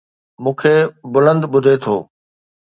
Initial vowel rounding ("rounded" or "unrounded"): rounded